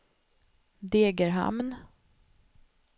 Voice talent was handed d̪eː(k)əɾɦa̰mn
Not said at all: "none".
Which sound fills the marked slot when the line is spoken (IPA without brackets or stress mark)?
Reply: ɡ